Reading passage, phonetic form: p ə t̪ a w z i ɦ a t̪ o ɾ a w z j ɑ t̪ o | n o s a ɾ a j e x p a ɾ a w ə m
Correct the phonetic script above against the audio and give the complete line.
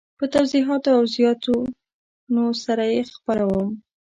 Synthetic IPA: p ə t̪ a w z i ɦ ɑ t̪ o a w z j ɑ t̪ o | n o s a ɾ a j e x p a ɾ a w ə m